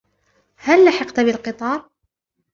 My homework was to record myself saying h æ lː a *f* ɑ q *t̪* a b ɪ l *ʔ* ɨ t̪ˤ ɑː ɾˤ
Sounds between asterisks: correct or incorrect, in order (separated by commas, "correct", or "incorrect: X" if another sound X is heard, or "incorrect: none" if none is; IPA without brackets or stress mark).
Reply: incorrect: ħ, correct, incorrect: q